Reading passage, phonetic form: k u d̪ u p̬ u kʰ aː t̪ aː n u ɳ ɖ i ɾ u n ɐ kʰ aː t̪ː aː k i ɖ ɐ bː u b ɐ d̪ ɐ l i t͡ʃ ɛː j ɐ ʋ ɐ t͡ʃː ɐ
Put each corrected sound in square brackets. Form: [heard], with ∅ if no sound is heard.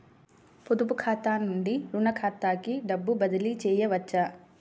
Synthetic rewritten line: [p] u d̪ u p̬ u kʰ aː t̪ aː n u ɳ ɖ i ɾ u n ɐ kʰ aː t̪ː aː k i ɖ ɐ bː u b ɐ d̪ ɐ l i t͡ʃ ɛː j ɐ ʋ ɐ t͡ʃː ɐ